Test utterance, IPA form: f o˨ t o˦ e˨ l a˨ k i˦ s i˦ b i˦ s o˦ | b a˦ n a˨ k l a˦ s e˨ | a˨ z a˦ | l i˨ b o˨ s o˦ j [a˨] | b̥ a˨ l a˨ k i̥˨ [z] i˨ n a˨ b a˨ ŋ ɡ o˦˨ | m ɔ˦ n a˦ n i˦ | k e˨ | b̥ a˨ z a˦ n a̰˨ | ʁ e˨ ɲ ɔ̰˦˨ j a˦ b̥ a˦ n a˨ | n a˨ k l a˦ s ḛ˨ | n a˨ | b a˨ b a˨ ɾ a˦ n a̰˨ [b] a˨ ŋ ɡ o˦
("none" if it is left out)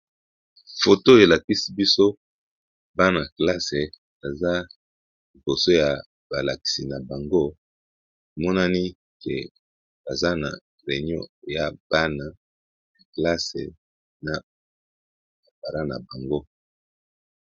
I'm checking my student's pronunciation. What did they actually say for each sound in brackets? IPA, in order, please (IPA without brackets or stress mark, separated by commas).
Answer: a˨, s, b